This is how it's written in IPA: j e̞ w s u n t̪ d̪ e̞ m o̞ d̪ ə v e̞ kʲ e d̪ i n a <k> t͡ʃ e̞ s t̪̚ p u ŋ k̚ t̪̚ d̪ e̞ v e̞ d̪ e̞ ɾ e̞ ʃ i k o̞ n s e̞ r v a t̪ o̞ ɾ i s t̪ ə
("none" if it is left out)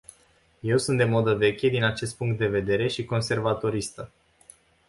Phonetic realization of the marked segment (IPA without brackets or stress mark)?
none